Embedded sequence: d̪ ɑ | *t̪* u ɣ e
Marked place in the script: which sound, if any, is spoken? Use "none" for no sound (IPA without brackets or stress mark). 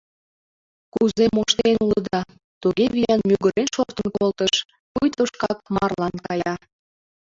t̪